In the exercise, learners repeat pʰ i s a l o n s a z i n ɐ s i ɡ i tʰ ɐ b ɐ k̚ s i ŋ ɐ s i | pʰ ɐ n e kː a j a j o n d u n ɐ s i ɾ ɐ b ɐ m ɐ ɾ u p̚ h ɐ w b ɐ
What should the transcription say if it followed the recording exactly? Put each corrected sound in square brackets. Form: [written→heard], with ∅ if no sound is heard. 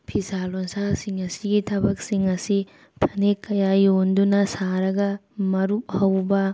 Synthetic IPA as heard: pʰ i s a l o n s a [z→s] i [n→ŋ] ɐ s i ɡ i tʰ ɐ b ɐ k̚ s i ŋ ɐ s i | pʰ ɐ n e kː [a→ɐ] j a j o n d u n ɐ s [i→a] ɾ ɐ [b→ɡ] ɐ m ɐ ɾ u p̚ h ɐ w b ɐ